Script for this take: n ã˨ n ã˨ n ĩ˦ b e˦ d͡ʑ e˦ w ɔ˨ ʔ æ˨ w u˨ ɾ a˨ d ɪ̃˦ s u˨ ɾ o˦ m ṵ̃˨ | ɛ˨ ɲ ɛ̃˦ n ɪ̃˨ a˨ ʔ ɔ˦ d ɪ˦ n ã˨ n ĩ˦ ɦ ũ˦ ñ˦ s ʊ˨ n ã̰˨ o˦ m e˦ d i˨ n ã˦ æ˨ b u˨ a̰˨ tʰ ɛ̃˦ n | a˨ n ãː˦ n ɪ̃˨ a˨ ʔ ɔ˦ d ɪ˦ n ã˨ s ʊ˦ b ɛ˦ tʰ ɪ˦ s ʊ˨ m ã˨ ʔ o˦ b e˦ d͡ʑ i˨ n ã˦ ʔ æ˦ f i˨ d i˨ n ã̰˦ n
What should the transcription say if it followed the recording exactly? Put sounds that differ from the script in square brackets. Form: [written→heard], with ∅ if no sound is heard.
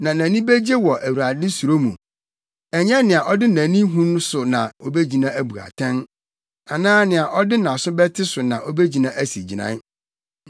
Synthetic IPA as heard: n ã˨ n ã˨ n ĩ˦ b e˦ d͡ʑ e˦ w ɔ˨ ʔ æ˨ w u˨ ɾ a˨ d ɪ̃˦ s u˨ ɾ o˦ m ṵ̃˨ | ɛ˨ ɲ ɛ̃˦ n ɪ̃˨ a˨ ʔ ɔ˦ d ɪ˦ n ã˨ n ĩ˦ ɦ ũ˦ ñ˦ s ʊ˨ n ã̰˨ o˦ [m→b] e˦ [d→d͡ʑ] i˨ n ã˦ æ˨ b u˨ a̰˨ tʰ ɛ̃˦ n | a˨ n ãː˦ n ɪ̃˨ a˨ ʔ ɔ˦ d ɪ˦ n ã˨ s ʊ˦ b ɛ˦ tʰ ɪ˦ s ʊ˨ [m→n] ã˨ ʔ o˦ b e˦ d͡ʑ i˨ n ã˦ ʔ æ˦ [f→s] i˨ [d→d͡ʑ] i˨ n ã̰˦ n